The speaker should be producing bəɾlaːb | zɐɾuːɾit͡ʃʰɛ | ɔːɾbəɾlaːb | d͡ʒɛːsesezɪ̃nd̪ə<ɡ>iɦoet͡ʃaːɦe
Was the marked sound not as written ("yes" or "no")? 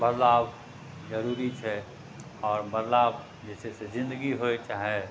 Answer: no